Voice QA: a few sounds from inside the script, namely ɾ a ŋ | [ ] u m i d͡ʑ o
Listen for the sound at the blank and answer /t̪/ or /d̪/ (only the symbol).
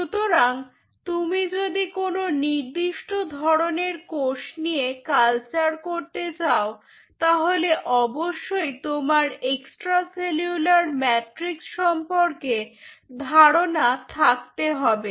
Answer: t̪